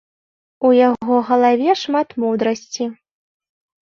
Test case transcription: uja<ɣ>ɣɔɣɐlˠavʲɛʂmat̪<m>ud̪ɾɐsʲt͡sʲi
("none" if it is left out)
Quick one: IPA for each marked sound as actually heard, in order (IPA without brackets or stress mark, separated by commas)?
ɣ, m